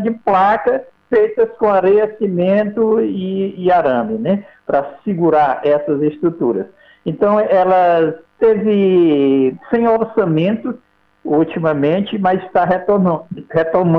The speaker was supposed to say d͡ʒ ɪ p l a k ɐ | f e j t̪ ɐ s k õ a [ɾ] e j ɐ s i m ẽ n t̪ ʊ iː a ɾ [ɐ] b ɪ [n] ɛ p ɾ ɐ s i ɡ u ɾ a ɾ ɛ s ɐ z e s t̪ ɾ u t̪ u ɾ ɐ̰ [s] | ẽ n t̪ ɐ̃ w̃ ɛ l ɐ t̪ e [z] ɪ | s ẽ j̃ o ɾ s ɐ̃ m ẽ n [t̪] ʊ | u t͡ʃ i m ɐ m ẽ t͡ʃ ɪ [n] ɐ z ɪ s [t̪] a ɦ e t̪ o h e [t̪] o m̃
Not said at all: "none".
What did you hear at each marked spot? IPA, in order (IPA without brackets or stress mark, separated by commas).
ɾ, ɐ̃, n, s, v, t̪, m, t̪, t̪